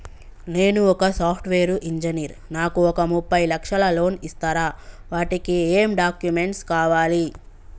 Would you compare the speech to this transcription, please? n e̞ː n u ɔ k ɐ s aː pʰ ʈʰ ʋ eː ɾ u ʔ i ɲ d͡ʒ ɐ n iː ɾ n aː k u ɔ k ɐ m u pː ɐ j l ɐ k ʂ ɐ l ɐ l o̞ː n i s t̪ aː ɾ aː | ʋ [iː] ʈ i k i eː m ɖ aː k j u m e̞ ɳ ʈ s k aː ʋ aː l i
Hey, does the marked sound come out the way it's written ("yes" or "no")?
no